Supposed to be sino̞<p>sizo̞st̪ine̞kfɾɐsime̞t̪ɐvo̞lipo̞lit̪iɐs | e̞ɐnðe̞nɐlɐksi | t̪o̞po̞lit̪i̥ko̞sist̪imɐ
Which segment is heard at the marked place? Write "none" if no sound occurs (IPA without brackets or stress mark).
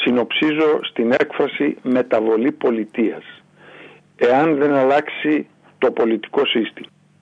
p